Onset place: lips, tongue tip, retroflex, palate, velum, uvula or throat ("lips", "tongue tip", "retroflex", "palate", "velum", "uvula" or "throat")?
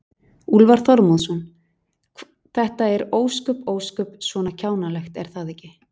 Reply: tongue tip